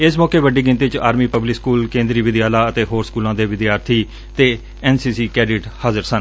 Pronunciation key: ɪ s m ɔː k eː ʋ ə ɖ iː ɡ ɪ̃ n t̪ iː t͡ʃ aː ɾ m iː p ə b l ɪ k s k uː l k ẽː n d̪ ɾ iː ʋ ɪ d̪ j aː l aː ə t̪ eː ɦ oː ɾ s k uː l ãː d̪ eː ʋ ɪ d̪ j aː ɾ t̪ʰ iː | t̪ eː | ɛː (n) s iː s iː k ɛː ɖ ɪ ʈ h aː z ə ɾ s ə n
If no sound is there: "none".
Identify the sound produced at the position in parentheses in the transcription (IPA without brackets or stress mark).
n